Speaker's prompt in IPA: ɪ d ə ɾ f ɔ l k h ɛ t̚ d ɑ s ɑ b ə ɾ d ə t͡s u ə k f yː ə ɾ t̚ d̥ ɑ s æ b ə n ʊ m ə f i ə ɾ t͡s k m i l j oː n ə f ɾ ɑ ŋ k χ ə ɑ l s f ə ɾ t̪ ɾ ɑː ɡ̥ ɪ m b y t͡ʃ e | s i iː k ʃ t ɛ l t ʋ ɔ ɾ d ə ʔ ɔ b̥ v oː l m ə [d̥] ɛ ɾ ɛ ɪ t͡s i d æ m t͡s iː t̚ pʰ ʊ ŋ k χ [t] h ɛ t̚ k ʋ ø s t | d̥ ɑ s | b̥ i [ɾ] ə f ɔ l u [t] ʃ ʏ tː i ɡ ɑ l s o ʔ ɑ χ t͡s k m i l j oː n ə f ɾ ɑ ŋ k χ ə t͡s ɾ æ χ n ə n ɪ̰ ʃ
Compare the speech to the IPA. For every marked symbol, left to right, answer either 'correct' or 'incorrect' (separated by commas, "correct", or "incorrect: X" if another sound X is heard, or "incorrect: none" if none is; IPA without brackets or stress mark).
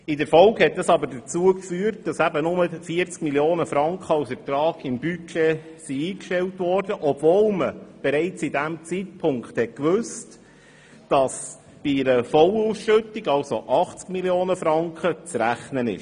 incorrect: b̥, correct, correct, incorrect: s